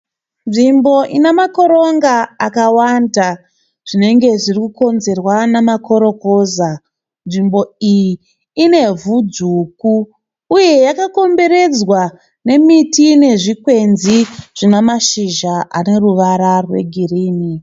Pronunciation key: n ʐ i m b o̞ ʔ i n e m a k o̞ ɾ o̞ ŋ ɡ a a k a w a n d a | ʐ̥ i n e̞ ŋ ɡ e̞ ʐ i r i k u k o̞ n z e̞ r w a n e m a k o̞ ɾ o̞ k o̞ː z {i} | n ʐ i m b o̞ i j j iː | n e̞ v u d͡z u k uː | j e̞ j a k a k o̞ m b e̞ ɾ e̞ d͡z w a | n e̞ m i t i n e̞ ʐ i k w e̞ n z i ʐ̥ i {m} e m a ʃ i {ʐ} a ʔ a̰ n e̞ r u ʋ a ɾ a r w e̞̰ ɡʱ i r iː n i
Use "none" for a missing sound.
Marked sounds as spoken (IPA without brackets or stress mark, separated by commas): a, n, ʒ